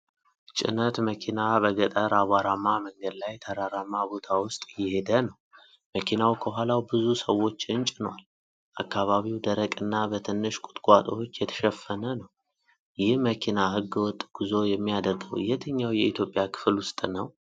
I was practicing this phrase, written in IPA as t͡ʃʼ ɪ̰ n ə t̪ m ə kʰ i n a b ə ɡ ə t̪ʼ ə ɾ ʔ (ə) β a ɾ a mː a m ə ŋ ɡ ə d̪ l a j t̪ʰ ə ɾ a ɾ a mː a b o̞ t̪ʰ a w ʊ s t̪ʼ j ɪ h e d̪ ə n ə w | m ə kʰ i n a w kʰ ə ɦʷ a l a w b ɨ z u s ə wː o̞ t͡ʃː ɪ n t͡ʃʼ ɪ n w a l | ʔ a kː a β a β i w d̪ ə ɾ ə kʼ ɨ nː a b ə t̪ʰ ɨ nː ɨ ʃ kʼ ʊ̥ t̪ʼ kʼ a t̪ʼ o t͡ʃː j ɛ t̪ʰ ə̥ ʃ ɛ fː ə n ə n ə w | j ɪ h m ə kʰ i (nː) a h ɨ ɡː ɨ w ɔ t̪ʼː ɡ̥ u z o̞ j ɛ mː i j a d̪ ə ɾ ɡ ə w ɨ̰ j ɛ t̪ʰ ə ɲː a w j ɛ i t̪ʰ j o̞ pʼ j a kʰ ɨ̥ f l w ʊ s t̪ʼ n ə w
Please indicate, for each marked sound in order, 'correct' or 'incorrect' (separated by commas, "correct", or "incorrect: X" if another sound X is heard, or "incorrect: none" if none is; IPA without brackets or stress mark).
incorrect: a, incorrect: n